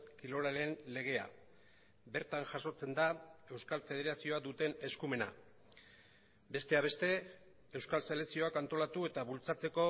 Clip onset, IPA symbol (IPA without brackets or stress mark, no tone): k